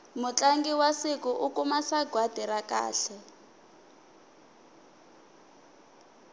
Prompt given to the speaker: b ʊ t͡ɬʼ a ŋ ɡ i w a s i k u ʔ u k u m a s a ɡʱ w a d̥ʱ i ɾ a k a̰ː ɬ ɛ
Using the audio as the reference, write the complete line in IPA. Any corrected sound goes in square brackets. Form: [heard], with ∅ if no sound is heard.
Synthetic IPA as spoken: [m] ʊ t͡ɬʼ a ŋ ɡ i w a s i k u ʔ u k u m a s a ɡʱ w a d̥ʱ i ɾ a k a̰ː ɬ ɛ